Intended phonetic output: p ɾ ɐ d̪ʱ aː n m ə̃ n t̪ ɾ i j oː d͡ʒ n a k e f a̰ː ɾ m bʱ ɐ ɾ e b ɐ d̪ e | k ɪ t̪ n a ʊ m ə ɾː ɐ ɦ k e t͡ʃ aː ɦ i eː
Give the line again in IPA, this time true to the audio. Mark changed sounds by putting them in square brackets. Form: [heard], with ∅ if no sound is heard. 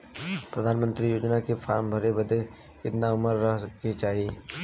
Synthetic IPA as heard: p ɾ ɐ d̪ʱ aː n m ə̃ n t̪ ɾ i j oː d͡ʒ n a k e f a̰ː ɾ m bʱ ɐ ɾ e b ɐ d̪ e | k ɪ t̪ n a ʊ m ə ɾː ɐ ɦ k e t͡ʃ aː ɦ i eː